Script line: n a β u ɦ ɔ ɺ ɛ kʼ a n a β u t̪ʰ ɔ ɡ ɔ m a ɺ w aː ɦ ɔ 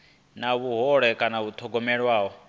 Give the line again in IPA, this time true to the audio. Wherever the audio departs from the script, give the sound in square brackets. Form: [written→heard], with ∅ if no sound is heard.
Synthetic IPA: n a β u ɦ ɔ ɺ ɛ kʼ a n a β u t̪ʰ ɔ ɡ ɔ m [a→ɛ] ɺ w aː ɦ ɔ